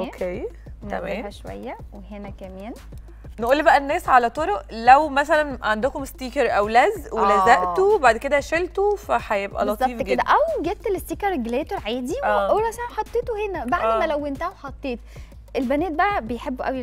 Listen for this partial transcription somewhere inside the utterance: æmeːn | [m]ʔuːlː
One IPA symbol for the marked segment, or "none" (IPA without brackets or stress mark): n